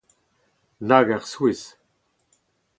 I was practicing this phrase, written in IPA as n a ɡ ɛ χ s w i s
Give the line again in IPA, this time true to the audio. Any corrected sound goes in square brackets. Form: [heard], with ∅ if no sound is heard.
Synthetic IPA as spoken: n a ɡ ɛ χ s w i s